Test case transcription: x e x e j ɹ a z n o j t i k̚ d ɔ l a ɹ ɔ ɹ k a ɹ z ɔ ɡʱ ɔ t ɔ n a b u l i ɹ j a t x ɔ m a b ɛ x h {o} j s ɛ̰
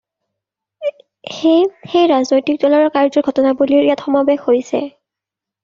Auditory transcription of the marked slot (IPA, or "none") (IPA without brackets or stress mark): o